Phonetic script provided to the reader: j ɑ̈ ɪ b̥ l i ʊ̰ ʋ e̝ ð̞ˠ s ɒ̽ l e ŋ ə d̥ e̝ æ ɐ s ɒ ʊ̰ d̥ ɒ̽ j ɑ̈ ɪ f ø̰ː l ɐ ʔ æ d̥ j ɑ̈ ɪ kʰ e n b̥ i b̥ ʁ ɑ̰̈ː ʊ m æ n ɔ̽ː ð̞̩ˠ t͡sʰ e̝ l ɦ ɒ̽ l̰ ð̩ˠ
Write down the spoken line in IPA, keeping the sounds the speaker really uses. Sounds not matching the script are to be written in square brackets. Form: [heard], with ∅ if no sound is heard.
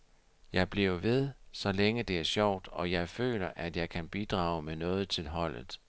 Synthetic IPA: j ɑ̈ ɪ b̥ l i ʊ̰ ʋ e̝ ð̞ˠ s ɒ̽ l e ŋ ə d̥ e̝ æ ɐ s ɒ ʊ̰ d̥ ɒ̽ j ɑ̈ ɪ f ø̰ː l ɐ ʔ æ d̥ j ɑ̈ ɪ kʰ [æ] n b̥ i [d̥] ʁ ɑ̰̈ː ʊ m [e] n ɔ̽ː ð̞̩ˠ t͡sʰ e̝ l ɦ ɒ̽ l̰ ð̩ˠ